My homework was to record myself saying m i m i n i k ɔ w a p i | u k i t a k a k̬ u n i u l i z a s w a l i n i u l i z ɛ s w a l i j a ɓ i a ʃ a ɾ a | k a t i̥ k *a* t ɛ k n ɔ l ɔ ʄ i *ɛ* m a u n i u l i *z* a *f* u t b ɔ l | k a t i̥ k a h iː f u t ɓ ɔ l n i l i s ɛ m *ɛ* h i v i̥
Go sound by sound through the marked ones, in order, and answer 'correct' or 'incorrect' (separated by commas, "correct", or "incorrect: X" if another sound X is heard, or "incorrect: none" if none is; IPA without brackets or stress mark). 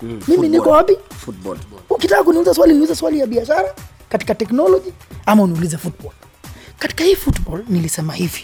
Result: correct, incorrect: a, correct, correct, incorrect: a